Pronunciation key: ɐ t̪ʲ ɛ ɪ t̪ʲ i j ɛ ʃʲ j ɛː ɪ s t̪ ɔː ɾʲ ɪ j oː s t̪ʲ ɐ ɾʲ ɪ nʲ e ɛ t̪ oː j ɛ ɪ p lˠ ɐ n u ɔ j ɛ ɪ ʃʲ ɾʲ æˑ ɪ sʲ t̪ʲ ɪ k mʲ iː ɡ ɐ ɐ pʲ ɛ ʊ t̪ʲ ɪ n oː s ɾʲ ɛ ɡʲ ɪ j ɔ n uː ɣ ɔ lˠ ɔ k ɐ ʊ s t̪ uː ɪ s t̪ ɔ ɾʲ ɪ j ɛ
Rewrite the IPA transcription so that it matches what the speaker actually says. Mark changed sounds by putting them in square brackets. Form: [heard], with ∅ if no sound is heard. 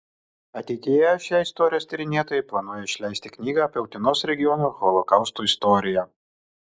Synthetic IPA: ɐ t̪ʲ ɛ ɪ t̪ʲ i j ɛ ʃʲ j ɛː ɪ s t̪ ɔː ɾʲ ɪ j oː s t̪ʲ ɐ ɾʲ ɪ nʲ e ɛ t̪ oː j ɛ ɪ p lˠ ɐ n u ɔ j ɛ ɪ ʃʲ [lʲ] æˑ ɪ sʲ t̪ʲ ɪ k [nʲ] iː ɡ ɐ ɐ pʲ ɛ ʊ t̪ʲ ɪ n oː s ɾʲ ɛ ɡʲ ɪ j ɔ n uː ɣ ɔ lˠ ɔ k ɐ ʊ s t̪ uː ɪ s t̪ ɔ ɾʲ ɪ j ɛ